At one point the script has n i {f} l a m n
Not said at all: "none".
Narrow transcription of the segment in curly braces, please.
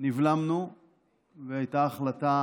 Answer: v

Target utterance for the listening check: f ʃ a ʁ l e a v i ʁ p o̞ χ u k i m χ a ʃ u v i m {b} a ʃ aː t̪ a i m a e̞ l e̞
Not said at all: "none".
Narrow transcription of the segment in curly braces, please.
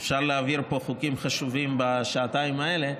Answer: b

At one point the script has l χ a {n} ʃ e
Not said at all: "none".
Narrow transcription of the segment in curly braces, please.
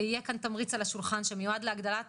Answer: n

